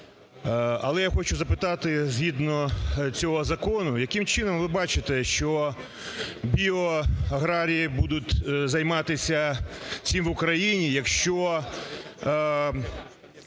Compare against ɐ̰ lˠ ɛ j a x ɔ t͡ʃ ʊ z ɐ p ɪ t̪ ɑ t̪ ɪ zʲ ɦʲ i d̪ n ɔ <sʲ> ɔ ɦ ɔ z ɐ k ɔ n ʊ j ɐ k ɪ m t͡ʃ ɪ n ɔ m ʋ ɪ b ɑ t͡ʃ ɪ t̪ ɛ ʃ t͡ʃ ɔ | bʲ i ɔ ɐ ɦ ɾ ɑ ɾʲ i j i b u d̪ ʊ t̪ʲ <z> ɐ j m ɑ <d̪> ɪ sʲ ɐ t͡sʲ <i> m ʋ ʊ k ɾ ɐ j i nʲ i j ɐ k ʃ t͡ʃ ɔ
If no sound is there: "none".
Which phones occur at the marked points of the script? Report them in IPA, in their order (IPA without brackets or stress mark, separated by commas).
t͡sʲ, z, t̪, i